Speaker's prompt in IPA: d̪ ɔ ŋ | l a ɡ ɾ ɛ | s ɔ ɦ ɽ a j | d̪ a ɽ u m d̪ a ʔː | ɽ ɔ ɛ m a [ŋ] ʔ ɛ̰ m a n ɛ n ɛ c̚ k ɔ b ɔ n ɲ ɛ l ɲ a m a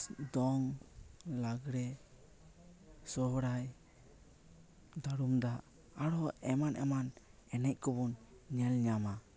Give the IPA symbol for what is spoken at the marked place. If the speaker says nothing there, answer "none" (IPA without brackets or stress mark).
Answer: n